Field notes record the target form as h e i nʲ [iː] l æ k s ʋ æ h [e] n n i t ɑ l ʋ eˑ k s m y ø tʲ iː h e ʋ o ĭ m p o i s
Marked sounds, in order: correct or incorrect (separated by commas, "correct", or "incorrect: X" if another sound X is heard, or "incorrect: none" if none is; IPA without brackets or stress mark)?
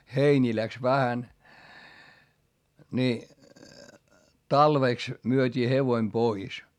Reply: correct, incorrect: æ